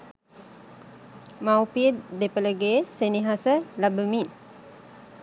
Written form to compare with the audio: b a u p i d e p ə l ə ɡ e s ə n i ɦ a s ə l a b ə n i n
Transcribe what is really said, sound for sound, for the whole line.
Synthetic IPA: m a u p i d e p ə l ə ɡ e s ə n i ɦ a s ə l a b ə m i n